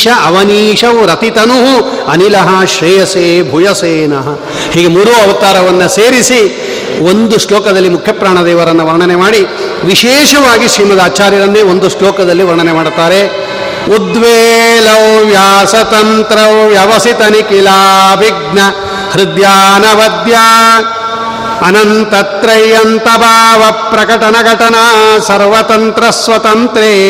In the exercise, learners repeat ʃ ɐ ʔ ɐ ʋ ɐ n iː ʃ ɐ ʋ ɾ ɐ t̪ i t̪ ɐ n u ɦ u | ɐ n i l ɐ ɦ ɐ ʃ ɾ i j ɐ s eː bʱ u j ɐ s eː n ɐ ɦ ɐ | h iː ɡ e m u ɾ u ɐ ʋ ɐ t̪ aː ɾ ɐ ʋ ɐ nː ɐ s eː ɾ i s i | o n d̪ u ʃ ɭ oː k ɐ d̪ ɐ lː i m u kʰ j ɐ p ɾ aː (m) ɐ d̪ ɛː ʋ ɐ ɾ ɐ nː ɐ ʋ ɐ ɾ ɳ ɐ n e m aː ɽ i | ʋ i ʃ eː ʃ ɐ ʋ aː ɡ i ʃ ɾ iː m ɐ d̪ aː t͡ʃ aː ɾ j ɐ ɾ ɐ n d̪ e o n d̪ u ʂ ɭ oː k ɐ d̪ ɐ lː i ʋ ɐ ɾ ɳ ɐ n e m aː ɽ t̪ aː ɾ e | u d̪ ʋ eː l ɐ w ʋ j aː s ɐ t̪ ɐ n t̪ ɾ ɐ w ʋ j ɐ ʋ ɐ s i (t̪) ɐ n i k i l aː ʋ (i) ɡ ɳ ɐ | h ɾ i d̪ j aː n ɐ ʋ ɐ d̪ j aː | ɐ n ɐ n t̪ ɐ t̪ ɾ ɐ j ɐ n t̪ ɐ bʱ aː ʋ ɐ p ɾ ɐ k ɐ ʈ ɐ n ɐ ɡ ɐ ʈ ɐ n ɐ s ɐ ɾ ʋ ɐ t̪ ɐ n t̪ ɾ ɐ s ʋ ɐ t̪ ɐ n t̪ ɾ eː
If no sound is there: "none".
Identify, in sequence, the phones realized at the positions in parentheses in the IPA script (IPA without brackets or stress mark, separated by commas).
ɳ, t̪, i